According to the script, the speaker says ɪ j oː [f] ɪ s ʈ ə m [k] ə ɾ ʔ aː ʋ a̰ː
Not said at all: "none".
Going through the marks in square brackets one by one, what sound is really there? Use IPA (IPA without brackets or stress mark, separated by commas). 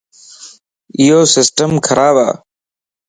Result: s, kʰ